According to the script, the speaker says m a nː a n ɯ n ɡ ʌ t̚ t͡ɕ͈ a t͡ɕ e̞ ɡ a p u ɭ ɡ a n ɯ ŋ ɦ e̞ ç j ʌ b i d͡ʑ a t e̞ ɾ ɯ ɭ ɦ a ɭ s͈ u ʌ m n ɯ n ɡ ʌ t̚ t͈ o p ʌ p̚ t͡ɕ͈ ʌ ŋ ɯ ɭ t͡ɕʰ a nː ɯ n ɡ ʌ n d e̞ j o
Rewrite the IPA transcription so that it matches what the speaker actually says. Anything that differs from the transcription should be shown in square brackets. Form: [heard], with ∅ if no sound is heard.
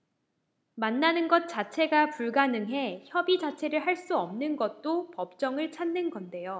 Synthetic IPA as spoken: m a nː a n ɯ n ɡ ʌ t̚ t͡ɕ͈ a [t͡ɕʰ] e̞ ɡ a p u ɭ ɡ a n ɯ ŋ ɦ e̞ ç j ʌ b i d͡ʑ a [t͡ɕʰ] e̞ ɾ ɯ ɭ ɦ a ɭ s͈ u ʌ m n ɯ n ɡ ʌ t̚ t͈ o p ʌ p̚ t͡ɕ͈ ʌ ŋ ɯ ɭ t͡ɕʰ a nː ɯ n ɡ ʌ n d e̞ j o